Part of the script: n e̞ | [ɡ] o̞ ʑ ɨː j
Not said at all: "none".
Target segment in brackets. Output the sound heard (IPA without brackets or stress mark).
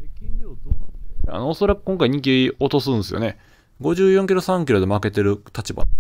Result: ɡ